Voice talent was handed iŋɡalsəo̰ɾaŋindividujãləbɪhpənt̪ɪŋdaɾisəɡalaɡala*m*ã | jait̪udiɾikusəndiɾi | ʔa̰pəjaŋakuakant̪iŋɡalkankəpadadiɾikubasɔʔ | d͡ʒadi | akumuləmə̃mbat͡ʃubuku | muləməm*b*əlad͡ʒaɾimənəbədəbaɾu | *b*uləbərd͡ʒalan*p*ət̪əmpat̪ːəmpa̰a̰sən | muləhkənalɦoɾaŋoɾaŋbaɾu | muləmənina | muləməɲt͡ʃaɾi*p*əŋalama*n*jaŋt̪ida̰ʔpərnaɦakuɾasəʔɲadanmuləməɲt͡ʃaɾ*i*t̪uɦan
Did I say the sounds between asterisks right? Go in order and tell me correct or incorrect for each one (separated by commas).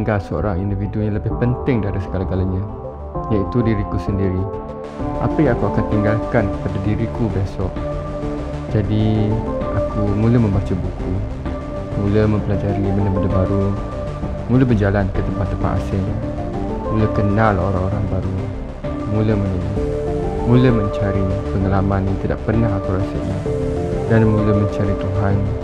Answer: incorrect, incorrect, incorrect, incorrect, correct, correct, correct